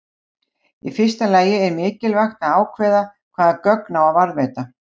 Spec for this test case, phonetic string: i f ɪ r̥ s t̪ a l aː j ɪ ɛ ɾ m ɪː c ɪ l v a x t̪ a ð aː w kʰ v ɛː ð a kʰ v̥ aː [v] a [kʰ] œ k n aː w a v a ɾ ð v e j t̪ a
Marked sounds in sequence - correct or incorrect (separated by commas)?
incorrect, incorrect